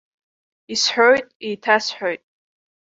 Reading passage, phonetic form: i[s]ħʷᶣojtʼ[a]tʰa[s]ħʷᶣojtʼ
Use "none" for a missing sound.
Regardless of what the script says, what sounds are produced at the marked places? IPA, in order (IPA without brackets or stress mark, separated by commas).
s, i, s